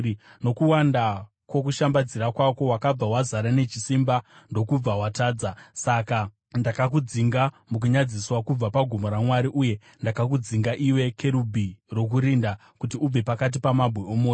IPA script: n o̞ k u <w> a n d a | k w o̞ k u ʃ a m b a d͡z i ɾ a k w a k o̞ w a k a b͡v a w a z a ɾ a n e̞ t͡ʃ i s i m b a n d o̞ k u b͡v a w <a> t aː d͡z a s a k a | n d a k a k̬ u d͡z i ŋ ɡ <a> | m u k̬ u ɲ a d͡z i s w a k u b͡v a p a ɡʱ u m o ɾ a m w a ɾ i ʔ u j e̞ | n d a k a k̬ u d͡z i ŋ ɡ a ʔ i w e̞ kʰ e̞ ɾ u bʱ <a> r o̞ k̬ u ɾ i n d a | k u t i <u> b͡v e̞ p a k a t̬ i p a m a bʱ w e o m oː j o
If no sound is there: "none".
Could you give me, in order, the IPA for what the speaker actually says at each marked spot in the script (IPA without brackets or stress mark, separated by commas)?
w, a, a, i, u